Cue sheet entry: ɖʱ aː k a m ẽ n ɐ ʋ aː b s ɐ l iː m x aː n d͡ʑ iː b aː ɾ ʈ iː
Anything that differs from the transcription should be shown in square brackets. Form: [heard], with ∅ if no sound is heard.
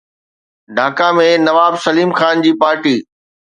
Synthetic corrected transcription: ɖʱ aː k a m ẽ n ɐ ʋ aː b s ɐ l iː m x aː n d͡ʑ iː [p] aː ɾ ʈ iː